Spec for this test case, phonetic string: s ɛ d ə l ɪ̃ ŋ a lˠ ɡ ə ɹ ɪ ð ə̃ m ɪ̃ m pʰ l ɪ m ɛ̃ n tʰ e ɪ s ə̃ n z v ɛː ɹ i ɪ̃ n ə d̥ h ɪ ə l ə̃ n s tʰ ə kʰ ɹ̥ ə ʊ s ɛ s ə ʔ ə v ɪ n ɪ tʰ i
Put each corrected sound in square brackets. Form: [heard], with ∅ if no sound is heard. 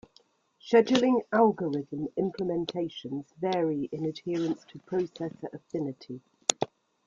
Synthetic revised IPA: [ʃ] ɛ [d͡ʒ] ə l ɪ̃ ŋ a lˠ ɡ ə ɹ ɪ ð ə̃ m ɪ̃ m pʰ l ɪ m ɛ̃ n tʰ e ɪ [ʃ] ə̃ n z v ɛː ɹ i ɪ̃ n ə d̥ h ɪ ə [ɹ] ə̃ n s tʰ ə [pʰ] ɹ̥ ə ʊ s ɛ s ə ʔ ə [f] ɪ n ɪ tʰ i